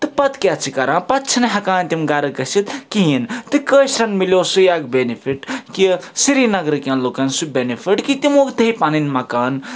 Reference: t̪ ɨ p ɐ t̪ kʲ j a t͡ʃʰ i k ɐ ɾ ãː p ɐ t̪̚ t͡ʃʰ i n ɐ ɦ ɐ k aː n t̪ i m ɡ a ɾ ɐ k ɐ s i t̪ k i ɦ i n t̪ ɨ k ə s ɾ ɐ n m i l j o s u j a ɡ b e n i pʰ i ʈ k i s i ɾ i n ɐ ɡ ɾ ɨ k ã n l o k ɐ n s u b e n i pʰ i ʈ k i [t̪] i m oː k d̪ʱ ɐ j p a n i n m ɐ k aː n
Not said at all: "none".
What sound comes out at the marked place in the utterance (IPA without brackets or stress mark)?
t̪